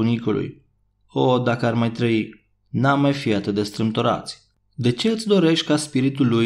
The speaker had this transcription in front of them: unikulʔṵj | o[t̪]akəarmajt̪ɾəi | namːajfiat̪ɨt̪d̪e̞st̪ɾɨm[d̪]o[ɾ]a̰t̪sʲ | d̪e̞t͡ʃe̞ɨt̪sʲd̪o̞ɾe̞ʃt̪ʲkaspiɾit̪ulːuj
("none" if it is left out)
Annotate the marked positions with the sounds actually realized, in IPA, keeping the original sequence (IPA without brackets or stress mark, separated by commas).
d̪, t̪, ɾ